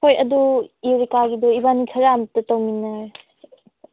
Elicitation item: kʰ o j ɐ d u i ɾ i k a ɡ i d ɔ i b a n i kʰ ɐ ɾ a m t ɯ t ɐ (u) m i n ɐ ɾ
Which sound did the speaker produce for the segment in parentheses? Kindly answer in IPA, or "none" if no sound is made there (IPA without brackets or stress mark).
w